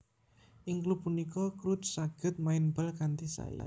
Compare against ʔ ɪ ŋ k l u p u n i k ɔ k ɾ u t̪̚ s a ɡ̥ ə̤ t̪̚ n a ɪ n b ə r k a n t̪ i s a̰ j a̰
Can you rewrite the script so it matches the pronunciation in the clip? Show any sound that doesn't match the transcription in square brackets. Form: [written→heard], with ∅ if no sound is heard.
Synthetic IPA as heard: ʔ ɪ ŋ k l u p u n i k ɔ k ɾ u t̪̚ s a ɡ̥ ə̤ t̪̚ [n→m] a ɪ n b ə [r→l] k a n t̪ i s a̰ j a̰

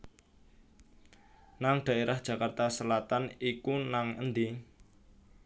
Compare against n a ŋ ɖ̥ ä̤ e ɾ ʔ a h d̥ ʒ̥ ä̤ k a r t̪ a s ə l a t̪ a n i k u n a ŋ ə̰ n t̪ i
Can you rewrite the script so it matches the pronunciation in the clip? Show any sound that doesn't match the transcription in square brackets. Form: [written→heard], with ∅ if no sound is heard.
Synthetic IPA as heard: n a ŋ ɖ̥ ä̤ e ɾ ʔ a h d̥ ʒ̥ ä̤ k a r t̪ a s ə l a t̪ a n i k u n a ŋ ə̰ n [t̪→d̪] i

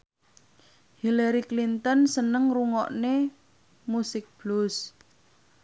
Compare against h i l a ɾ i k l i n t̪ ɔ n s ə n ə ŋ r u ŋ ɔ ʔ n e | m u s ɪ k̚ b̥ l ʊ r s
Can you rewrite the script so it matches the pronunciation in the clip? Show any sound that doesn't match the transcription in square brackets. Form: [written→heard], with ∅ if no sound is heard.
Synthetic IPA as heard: h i l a ɾ i k l i n t̪ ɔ n s ə n ə ŋ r u ŋ ɔ ʔ n e | m u s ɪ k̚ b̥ l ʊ [r→∅] s

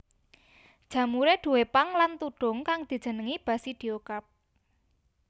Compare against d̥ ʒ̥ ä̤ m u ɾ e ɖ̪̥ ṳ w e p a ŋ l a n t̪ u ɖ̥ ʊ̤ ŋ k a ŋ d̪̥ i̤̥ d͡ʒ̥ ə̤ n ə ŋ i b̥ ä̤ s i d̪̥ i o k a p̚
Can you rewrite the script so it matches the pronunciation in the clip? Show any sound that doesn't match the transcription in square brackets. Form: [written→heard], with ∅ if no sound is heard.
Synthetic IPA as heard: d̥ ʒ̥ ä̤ m u ɾ e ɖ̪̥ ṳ w e p a ŋ l a n t̪ u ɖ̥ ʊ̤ ŋ k a ŋ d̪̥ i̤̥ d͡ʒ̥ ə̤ n ə ŋ i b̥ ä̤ s i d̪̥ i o k a p̚

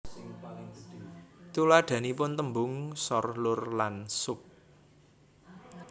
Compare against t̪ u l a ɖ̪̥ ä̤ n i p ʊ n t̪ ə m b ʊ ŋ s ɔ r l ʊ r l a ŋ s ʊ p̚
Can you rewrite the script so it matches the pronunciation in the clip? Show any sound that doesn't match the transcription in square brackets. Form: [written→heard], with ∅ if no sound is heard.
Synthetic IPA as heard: t̪ u l a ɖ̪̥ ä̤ n i p ʊ n t̪ ə m b ʊ ŋ s ɔ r l ʊ r l a [ŋ→n] s ʊ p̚

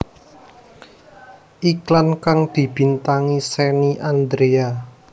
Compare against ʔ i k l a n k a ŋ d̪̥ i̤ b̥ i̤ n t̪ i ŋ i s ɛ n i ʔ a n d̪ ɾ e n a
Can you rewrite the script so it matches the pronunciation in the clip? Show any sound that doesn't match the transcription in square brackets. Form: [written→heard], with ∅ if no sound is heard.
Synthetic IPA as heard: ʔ i k l a n k a ŋ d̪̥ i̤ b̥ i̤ n t̪ [i→a] ŋ i s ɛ n i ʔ a n d̪ ɾ e [n→∅] a

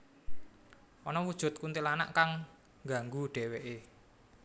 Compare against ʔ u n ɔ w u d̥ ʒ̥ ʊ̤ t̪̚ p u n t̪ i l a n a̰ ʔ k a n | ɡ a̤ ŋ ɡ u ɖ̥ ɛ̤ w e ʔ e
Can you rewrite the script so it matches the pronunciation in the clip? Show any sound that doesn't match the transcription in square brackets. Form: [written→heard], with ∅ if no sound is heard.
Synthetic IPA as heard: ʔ [u→ɔ] n ɔ w u d̥ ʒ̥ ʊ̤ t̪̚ [p→k] u n t̪ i l a n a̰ ʔ k a [n→ŋ] | ɡ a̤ ŋ ɡ u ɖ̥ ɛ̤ w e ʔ e

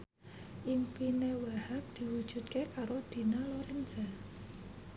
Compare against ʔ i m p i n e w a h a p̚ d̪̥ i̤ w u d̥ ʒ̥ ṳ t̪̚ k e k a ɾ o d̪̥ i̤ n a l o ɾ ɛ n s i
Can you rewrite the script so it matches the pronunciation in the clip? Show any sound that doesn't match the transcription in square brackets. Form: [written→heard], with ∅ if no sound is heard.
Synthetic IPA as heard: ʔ i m p i n e w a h a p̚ d̪̥ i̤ w u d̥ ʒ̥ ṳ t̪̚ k e k a ɾ o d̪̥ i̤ n a l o ɾ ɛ n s [i→a]

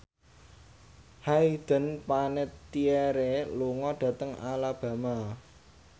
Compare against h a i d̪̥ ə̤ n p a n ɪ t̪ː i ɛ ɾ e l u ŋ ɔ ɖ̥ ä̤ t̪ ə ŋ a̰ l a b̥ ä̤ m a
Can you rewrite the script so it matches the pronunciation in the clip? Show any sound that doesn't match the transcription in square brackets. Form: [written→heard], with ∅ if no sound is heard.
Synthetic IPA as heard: h a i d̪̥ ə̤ n p a n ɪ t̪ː i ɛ ɾ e l u ŋ ɔ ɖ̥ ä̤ t̪ ə ŋ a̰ l a b̥ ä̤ m a

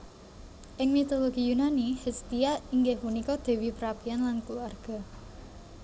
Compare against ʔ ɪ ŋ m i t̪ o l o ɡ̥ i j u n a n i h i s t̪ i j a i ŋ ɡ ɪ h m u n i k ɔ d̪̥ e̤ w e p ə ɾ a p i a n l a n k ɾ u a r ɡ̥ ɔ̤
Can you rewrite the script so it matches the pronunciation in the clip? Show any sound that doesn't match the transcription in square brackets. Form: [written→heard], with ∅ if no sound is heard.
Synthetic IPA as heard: ʔ ɪ ŋ m i t̪ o l o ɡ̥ i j u n a n i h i s t̪ i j a i ŋ ɡ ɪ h m u n i k ɔ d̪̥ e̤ w [e→i] p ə ɾ a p i a n l a n k [ɾ→l] u a r ɡ̥ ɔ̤

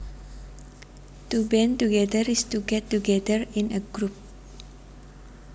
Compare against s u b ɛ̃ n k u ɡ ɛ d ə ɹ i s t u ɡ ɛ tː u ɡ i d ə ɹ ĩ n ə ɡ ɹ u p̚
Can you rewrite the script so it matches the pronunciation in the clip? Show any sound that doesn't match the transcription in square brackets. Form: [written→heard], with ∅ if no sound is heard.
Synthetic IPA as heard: [s→t] u b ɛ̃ n [k→t] u ɡ ɛ d ə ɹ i s t u ɡ ɛ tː u ɡ [i→ɛ] d ə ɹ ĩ n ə ɡ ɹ u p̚

